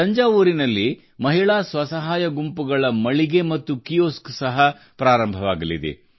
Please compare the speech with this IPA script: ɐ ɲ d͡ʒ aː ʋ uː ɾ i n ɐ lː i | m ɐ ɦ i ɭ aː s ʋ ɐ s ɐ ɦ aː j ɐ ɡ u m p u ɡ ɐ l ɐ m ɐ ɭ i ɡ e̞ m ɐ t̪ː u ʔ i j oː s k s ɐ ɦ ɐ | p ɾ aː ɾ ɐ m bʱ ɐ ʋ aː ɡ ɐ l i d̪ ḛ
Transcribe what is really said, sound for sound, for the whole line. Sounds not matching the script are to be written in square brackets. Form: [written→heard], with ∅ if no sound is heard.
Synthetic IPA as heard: ɐ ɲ d͡ʒ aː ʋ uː ɾ i n ɐ lː i | m ɐ ɦ i ɭ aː s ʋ ɐ s ɐ ɦ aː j ɐ ɡ u m p u ɡ ɐ [l→ɭ] ɐ m ɐ ɭ i ɡ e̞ m ɐ t̪ː u [ʔ→k] i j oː s k s ɐ ɦ ɐ | p ɾ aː ɾ ɐ m bʱ ɐ ʋ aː ɡ ɐ l i d̪ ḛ